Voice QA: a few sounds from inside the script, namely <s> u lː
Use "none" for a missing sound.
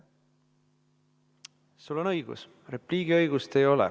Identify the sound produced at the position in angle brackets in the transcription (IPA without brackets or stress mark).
s